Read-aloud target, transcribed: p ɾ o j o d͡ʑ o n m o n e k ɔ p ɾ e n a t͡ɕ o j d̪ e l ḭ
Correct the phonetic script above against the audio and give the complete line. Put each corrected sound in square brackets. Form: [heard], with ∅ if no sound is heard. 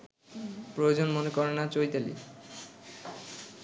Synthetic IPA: p ɾ o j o d͡ʑ o n m o n e k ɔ [∅] ɾ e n a t͡ɕ o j [t̪] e l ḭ